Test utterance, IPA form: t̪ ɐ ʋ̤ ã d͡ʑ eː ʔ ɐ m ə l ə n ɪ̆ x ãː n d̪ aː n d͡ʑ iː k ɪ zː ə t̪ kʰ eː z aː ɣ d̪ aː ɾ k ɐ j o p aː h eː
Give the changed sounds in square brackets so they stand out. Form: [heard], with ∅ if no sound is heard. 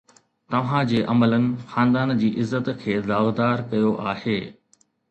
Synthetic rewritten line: t̪ ɐ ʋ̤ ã d͡ʑ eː ʔ ɐ m ə l ə n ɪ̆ x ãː n d̪ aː n d͡ʑ iː [ʔ] ɪ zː ə t̪ kʰ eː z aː ɣ d̪ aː ɾ k ɐ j o [ʔ] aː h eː